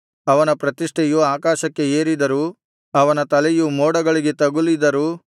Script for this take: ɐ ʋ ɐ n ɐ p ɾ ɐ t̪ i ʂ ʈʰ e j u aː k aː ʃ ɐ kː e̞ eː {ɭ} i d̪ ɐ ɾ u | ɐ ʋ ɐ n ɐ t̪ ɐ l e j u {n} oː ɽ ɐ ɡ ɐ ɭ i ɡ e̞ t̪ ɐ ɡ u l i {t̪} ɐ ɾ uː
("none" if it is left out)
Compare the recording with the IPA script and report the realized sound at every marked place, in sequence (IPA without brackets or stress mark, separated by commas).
ɾ, m, d̪